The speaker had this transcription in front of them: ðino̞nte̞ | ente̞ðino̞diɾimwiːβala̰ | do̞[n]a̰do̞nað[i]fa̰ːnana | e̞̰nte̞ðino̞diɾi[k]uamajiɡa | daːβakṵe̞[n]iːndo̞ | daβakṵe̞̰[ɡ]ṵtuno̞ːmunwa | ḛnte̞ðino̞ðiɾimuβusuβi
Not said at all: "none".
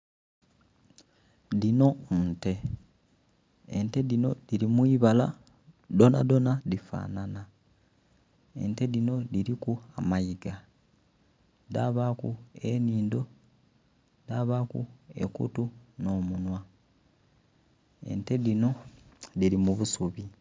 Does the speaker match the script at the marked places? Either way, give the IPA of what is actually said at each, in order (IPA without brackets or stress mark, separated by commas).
n, i, k, n, k